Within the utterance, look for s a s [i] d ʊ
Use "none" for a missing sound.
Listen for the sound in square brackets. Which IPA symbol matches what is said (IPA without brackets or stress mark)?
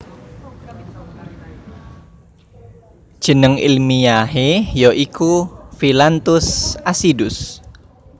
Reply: i